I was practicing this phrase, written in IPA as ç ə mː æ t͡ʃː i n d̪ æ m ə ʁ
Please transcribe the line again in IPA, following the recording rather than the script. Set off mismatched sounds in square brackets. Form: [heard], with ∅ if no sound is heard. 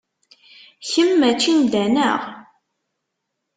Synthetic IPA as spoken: ç ə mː æ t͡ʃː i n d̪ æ [n] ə ʁ